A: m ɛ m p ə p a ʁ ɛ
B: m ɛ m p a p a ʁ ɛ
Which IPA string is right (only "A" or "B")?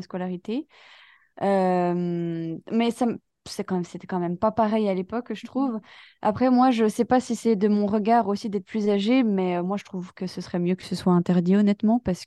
B